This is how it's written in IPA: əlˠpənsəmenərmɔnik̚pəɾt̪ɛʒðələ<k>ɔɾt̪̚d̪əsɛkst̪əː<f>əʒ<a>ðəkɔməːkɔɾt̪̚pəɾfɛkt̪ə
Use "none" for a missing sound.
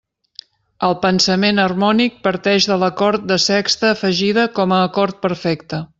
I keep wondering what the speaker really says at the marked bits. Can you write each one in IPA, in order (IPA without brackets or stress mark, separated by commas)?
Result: k, f, i